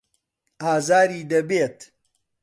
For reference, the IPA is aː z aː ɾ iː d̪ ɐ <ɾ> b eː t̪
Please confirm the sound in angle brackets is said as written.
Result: no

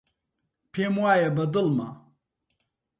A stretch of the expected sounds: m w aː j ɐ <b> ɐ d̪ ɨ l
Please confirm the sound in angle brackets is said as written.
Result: yes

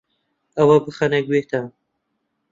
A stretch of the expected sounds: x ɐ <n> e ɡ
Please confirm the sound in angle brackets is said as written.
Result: yes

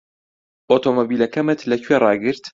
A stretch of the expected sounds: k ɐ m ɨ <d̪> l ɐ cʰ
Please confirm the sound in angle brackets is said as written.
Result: no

